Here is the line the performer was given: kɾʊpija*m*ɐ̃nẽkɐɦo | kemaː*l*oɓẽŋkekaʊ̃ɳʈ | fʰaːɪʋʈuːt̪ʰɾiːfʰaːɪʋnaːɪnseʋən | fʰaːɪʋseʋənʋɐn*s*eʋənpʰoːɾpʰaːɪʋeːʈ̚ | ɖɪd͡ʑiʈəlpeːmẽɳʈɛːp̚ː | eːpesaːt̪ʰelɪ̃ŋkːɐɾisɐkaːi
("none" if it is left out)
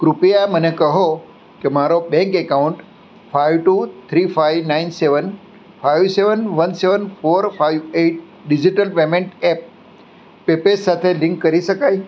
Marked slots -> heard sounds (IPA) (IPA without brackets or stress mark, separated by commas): m, ɾ, s